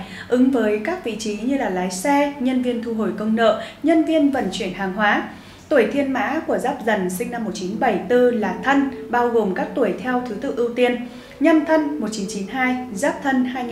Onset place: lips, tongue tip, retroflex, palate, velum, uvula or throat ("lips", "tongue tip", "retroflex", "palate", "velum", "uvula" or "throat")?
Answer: throat